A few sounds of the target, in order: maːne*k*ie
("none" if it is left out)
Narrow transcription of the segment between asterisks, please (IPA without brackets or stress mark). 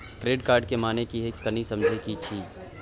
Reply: k